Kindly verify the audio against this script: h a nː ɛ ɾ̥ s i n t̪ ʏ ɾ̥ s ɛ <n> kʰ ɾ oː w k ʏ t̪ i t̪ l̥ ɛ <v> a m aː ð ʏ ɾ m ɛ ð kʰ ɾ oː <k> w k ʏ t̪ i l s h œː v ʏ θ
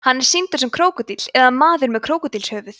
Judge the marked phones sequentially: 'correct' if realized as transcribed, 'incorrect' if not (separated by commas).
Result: incorrect, incorrect, incorrect